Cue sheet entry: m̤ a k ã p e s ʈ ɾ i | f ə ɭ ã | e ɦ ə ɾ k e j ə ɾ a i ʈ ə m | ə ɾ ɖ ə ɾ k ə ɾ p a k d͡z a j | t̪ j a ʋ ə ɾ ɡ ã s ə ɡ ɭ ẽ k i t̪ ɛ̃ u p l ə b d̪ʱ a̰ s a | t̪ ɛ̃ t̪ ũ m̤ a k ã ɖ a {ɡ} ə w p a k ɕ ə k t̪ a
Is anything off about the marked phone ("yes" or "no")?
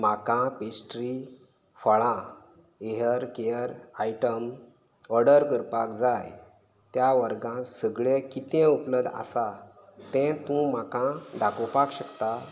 yes